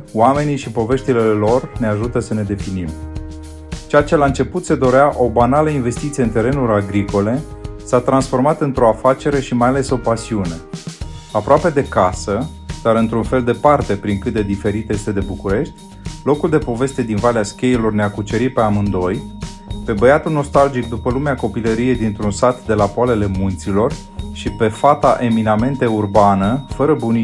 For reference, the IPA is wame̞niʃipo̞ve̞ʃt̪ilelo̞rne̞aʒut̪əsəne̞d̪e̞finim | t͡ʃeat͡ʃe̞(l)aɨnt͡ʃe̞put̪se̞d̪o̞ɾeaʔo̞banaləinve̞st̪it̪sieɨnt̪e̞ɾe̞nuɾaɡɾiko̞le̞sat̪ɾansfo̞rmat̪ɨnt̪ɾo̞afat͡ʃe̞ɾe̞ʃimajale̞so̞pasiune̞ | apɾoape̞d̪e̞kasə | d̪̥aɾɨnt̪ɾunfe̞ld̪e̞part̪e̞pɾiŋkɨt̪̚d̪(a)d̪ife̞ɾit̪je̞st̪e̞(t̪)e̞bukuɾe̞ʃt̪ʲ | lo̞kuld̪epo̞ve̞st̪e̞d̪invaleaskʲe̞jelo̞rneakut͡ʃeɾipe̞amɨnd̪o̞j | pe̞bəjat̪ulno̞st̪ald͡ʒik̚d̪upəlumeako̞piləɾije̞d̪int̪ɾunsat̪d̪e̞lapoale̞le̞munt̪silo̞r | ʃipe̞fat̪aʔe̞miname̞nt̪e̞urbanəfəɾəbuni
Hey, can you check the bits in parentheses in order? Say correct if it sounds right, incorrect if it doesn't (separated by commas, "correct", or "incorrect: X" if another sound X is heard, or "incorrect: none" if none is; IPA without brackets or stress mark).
correct, incorrect: e, incorrect: d̪